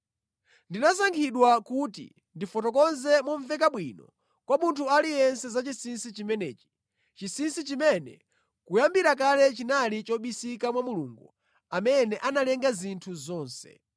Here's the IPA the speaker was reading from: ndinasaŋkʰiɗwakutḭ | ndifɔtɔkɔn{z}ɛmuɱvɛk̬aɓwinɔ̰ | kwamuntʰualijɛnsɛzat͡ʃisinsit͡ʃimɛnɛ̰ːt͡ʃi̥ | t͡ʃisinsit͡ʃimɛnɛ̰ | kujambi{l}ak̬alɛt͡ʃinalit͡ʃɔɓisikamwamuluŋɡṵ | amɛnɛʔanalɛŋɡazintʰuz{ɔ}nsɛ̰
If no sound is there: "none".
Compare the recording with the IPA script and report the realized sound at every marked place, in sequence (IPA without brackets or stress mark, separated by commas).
z, ɾ, ɔː